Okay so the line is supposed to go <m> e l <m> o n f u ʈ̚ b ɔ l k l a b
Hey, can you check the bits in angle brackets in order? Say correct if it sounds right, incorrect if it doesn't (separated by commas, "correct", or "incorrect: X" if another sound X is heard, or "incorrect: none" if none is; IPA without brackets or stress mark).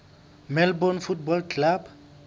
correct, incorrect: b